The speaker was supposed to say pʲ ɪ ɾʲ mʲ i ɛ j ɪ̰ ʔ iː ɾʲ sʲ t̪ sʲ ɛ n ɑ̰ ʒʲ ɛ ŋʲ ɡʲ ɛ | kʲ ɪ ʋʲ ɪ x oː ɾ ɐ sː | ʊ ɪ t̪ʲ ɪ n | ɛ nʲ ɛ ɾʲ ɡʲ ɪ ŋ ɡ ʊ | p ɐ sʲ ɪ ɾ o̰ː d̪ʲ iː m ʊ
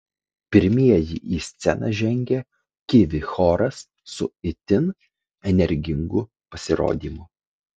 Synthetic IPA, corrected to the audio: pʲ ɪ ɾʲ mʲ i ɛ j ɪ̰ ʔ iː sʲ t̪ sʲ ɛ n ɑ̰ ʒʲ ɛ ŋʲ ɡʲ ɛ | kʲ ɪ ʋʲ ɪ x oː ɾ ɐ sː | ʊ ɪ t̪ʲ ɪ n | ɛ nʲ ɛ ɾʲ ɡʲ ɪ ŋ ɡ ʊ | p ɐ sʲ ɪ ɾ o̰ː d̪ʲ iː m ʊ